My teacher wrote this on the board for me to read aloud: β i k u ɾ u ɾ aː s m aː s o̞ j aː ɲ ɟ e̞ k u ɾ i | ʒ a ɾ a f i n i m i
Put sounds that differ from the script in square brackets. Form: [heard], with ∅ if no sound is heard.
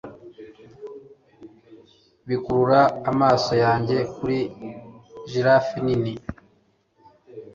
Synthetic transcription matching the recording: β i k u ɾ u ɾ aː [∅] m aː s o̞ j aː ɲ ɟ e̞ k u ɾ i | ʒ [i] ɾ a f i n i [n] i

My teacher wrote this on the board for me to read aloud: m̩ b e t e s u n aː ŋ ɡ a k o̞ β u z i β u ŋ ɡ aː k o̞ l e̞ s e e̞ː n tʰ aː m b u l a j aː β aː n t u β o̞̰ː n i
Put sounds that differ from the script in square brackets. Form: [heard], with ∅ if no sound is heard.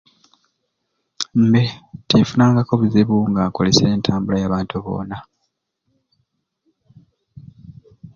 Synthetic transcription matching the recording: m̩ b e t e [f] u n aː ŋ ɡ a k o̞ β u z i β u ŋ ɡ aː k o̞ l e̞ s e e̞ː n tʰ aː m b u l a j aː β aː n t u β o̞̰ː n [a]

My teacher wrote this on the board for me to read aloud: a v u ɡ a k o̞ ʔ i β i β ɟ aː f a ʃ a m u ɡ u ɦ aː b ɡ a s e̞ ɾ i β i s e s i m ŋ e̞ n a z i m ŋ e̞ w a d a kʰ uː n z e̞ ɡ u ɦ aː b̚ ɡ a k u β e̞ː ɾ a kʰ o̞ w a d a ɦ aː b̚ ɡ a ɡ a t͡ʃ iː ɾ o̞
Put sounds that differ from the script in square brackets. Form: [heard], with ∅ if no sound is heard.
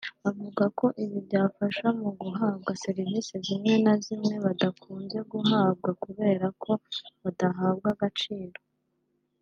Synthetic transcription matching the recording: a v u ɡ a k o̞ ʔ i β i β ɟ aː f a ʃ a m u ɡ u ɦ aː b ɡ a s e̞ ɾ i [v] i s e [z] i m ŋ e̞ n a z i m ŋ e̞ [β] a d a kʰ uː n z e̞ ɡ u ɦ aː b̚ ɡ a k u β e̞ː ɾ a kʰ o̞ [β] a d a ɦ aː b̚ ɡ a ɡ a t͡ʃ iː ɾ o̞

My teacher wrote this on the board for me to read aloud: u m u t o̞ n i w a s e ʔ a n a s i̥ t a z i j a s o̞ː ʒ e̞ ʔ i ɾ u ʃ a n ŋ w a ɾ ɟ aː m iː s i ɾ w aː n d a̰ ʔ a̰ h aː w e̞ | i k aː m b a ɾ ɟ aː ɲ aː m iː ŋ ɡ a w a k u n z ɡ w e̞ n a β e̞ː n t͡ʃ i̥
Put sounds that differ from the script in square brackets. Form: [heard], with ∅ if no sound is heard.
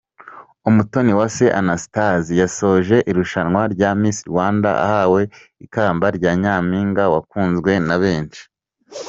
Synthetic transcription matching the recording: u m u t o̞ n i w a s e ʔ a n a s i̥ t a z i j a s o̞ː ʒ e̞ ʔ i ɾ u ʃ a n ŋ w a ɾ ɟ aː m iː s i ɾ w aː n d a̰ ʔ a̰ h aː w e̞ | i k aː m b a ɾ ɟ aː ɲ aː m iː ŋ ɡ a w a k [uː] n z ɡ w e̞ n a β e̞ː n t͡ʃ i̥

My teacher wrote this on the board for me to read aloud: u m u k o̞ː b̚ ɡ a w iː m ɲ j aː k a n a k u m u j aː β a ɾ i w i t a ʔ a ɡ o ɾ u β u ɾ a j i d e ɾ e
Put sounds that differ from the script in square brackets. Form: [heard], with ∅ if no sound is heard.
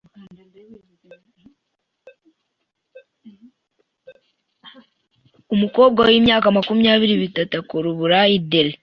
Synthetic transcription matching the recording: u m u k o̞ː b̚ ɡ a w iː m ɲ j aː k a [m] a k u m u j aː β [i] ɾ i [β] i t a [t] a [k] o ɾ u β u ɾ a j i d e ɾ e

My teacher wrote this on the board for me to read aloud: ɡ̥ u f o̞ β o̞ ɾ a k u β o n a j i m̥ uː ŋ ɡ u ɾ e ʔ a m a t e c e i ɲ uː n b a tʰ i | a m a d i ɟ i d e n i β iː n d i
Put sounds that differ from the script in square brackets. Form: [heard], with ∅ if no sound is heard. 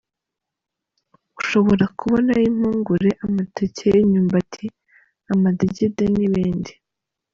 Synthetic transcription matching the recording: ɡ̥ u [ʃ] o̞ β o̞ ɾ a k u β o n a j i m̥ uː ŋ ɡ u ɾ e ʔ a m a t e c e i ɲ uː [m] b a tʰ i | a m a d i ɟ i d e n i β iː n d i

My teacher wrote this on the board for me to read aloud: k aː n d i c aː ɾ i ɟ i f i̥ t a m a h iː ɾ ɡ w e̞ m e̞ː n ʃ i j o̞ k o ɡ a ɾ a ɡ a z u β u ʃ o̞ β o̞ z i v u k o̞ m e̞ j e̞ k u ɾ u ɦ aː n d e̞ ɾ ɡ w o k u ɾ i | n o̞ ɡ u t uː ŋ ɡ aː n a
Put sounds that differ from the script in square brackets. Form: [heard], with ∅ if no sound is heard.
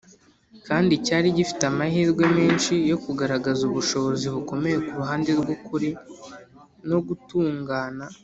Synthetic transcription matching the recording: k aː n d i c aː ɾ i ɟ i f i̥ t a m a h iː ɾ ɡ w e̞ m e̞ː n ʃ i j o̞ k [u] ɡ a ɾ a ɡ a z u β u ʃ o̞ β o̞ z i [β] u k o̞ m e̞ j e̞ k u ɾ u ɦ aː n d e̞ ɾ ɡ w o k u ɾ i | n o̞ ɡ u t uː ŋ ɡ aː n a

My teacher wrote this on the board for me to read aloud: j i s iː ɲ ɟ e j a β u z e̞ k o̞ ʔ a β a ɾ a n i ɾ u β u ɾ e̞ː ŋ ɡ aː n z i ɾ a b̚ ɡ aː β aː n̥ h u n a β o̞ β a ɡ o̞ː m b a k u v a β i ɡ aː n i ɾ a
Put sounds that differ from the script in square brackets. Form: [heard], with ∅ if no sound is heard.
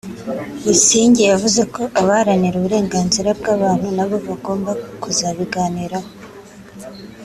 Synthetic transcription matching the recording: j i s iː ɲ ɟ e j a [v] u z e̞ k o̞ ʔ a β a ɾ a n i ɾ u β u ɾ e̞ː ŋ ɡ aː n z i ɾ a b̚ ɡ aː β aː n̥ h u n a β o̞ β a ɡ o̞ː m b a k u [z] a β i ɡ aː n i ɾ a

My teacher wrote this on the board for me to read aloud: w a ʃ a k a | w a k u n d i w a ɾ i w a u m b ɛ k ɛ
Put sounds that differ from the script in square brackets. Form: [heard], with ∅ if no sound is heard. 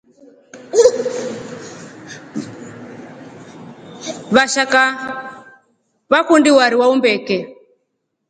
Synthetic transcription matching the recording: [β] a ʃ a k a | [β] a k u n d i w a ɾ i w a u m b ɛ k ɛ

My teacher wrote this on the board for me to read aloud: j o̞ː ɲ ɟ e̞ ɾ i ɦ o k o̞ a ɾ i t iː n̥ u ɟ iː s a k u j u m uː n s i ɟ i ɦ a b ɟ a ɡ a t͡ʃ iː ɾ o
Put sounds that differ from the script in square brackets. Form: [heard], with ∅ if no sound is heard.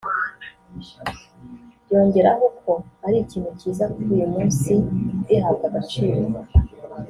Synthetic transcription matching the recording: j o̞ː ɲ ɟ e̞ ɾ [a] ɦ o k o̞ a ɾ i [c] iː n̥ u [c] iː [z] a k u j u m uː n s i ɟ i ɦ a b [ɡ] a ɡ a t͡ʃ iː ɾ o

